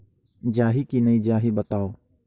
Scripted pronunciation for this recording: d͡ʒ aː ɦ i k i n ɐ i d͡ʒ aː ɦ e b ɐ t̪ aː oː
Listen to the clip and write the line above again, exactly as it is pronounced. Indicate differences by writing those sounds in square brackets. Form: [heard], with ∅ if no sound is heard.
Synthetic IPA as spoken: d͡ʒ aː ɦ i k i n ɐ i d͡ʒ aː ɦ [i] b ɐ t̪ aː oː